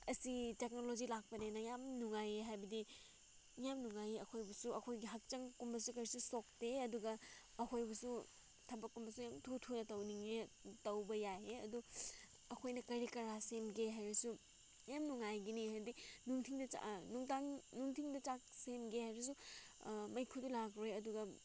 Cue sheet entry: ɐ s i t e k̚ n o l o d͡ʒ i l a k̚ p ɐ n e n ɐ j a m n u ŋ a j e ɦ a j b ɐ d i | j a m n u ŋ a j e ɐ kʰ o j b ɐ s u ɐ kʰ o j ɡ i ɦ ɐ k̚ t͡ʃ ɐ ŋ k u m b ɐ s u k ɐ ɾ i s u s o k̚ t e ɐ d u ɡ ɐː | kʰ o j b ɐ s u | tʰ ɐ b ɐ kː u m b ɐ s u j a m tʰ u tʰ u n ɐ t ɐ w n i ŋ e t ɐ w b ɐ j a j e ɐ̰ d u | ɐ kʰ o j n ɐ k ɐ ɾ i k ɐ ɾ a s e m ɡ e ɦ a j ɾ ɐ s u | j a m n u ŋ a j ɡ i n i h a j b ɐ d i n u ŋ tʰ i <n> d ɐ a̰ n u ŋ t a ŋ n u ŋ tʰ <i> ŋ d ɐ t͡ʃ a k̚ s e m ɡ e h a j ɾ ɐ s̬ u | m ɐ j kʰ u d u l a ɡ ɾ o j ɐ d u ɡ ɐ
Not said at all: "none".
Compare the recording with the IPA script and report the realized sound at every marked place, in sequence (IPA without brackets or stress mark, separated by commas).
ŋ, i